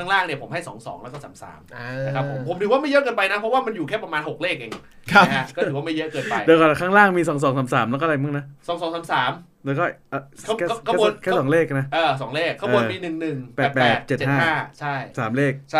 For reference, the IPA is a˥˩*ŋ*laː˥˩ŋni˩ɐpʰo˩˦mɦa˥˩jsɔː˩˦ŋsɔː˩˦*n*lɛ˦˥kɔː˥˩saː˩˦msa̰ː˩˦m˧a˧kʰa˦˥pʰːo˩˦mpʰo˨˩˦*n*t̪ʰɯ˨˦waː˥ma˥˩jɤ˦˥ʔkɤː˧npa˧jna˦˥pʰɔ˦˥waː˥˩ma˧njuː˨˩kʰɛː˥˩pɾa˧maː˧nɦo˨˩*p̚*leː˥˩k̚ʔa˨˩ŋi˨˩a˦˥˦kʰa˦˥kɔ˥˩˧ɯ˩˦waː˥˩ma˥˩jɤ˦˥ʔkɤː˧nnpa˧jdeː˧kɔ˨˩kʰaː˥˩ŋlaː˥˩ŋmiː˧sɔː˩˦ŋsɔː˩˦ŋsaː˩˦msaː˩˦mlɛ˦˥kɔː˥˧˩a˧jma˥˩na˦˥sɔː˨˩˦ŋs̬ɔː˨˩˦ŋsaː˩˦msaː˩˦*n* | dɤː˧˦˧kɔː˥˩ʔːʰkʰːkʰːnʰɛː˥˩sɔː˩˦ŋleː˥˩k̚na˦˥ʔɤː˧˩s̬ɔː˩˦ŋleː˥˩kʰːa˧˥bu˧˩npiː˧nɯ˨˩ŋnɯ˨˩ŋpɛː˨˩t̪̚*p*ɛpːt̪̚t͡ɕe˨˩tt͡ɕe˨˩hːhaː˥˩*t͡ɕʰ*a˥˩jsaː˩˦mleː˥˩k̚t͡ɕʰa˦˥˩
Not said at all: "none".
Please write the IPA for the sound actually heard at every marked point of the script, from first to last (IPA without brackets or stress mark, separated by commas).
ŋ, ŋ, m, k̚, m, p, t͡ɕʰ